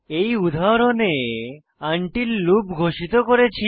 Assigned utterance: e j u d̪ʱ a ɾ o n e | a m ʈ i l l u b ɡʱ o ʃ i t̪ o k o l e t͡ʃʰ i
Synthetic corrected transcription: e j u d̪ʱ a ɾ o n e | a ɳ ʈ i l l u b ɡʱ o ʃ i t̪ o k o ɾ e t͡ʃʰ i